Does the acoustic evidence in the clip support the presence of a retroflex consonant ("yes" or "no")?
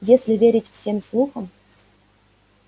no